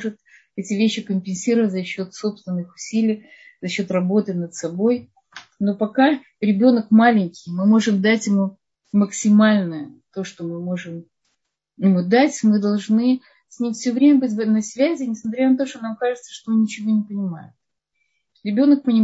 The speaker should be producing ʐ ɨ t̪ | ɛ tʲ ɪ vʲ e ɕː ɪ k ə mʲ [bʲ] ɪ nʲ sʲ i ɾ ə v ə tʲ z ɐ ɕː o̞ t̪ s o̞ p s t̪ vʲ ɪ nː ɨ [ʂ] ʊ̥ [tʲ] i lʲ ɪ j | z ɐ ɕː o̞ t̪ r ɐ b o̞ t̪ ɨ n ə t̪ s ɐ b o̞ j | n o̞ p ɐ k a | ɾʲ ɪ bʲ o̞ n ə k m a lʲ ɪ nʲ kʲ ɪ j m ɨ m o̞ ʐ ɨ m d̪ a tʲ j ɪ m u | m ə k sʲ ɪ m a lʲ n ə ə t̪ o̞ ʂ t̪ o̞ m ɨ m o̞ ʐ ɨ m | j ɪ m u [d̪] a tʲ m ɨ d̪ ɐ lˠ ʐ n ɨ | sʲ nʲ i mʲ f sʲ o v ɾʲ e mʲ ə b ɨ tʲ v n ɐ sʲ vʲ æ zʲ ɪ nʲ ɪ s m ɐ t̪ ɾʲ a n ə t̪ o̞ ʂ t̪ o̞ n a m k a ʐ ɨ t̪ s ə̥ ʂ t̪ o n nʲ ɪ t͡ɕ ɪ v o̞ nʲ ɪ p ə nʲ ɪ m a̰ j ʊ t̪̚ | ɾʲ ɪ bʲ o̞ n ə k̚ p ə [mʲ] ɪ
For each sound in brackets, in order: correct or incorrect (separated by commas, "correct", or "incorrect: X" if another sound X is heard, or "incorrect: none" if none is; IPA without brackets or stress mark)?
incorrect: pʲ, incorrect: x, incorrect: sʲ, correct, incorrect: nʲ